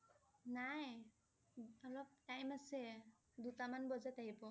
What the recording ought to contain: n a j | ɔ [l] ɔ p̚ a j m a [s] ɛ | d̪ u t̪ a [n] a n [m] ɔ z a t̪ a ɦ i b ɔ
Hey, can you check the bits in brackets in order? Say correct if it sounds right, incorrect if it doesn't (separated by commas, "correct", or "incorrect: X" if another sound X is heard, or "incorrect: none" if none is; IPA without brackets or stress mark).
correct, correct, incorrect: m, incorrect: b